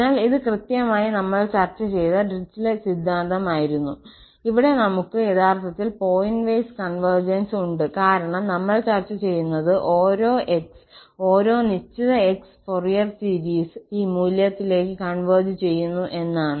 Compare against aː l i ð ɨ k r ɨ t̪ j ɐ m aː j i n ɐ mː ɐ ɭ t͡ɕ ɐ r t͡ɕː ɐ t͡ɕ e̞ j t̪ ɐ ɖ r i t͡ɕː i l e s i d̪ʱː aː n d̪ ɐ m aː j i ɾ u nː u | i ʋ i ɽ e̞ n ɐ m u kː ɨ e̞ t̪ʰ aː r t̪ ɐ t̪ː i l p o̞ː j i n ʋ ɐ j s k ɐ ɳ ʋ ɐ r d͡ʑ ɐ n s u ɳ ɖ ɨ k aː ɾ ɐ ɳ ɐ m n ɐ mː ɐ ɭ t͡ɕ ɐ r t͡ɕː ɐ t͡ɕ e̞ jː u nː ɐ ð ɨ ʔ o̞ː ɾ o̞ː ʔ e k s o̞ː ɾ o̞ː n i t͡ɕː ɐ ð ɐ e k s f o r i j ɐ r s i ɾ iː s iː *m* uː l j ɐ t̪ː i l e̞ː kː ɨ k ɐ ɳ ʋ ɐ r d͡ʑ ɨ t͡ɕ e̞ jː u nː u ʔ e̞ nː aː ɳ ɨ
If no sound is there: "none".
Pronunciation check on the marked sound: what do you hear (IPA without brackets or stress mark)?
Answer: m